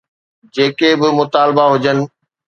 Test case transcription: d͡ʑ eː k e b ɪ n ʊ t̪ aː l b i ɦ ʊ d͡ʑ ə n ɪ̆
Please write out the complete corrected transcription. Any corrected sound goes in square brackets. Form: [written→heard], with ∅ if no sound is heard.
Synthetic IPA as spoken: d͡ʑ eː k e b ɪ [n→m] ʊ t̪ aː l b [i→a] ɦ ʊ d͡ʑ ə n ɪ̆